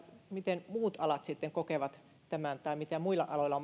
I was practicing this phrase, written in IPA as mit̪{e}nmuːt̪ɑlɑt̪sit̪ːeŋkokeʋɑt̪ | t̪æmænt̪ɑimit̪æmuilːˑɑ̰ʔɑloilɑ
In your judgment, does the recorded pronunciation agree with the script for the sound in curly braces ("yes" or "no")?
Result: yes